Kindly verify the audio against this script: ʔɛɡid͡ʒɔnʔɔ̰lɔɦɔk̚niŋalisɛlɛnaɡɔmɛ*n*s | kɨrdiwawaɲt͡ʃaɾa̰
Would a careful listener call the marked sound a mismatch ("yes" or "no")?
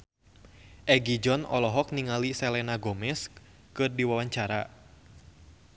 yes